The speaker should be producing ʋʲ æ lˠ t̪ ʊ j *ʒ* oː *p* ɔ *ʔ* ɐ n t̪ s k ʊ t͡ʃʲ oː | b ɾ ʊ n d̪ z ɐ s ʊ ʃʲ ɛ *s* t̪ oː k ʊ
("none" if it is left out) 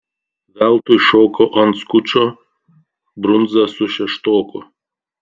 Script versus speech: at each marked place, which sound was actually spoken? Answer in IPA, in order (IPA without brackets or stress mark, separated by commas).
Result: ʃ, k, ʔ, ʃ